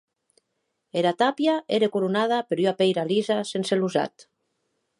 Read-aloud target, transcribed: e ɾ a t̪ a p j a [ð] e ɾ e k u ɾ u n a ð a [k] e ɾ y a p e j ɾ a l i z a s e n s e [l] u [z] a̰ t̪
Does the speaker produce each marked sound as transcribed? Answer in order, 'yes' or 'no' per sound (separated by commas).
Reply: no, no, yes, yes